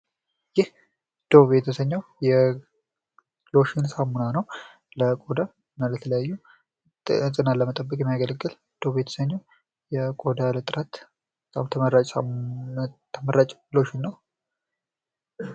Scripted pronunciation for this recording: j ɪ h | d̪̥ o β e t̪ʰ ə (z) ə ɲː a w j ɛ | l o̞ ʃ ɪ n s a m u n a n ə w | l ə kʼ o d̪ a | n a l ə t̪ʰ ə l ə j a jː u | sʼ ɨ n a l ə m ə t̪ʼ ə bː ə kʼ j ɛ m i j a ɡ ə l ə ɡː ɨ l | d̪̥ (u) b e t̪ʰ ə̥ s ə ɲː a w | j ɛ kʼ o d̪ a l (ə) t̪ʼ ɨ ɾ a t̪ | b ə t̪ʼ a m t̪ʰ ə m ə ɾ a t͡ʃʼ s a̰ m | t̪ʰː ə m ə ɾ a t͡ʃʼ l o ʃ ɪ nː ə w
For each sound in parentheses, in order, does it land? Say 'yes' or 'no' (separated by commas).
no, no, yes